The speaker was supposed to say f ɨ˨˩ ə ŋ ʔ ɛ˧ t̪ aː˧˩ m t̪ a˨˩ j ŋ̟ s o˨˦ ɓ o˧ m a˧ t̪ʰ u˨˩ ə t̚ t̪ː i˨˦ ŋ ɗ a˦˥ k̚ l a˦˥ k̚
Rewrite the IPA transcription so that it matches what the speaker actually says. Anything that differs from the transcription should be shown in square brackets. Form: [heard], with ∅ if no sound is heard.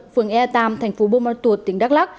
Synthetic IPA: f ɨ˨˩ ə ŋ ʔ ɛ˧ t̪ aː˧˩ m [t̪ʰ] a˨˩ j ŋ̟ [f] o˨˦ ɓ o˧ m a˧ [t̪] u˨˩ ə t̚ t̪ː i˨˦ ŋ ɗ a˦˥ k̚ l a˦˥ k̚